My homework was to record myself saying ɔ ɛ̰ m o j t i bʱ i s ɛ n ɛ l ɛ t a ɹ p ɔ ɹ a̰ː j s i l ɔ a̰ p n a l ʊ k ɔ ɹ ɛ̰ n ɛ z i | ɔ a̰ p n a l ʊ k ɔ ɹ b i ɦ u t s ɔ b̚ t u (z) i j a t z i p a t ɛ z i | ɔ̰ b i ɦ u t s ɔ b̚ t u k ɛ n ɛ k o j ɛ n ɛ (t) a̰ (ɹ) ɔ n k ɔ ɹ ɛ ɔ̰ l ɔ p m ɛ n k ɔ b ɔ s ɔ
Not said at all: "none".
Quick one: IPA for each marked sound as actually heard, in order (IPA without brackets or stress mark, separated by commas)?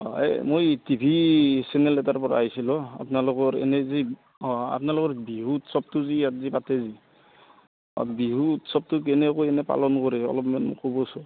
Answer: z, p, l